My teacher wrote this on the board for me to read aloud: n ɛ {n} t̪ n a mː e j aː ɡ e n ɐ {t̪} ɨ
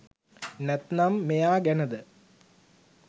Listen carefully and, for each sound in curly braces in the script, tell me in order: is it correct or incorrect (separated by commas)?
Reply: incorrect, incorrect